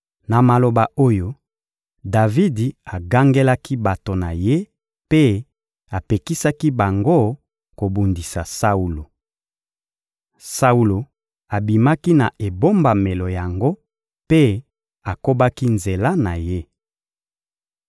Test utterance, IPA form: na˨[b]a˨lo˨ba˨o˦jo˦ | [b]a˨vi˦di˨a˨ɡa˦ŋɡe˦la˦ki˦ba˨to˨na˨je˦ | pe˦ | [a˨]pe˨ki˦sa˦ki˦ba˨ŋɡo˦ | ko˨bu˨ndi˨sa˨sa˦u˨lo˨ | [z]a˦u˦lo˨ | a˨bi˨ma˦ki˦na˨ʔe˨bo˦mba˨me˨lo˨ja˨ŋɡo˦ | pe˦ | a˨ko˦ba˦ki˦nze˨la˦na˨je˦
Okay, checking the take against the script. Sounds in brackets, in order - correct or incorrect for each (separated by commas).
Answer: incorrect, incorrect, correct, incorrect